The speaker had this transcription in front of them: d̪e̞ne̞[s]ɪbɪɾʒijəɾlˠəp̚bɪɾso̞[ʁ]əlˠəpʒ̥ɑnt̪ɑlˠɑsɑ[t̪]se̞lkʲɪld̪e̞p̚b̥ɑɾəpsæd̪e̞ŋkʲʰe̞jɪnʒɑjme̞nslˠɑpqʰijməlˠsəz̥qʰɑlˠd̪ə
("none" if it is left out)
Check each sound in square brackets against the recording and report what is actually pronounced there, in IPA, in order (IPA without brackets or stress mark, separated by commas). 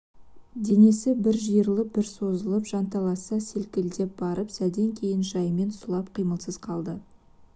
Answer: s, z, none